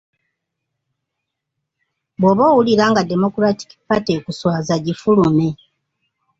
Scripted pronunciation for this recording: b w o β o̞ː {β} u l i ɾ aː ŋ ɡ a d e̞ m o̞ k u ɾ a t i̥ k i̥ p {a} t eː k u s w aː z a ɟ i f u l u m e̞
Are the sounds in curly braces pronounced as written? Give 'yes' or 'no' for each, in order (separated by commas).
no, yes